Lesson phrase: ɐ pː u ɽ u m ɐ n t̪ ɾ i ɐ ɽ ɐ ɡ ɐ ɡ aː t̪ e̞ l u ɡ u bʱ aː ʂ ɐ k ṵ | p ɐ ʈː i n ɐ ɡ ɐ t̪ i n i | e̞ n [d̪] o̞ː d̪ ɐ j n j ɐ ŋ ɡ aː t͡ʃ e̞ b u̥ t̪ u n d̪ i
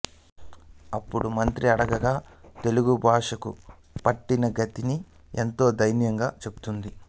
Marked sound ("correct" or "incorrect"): incorrect